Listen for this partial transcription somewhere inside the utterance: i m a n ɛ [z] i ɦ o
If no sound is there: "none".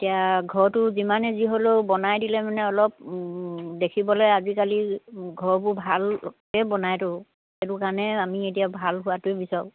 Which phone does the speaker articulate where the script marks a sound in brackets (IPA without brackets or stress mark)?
z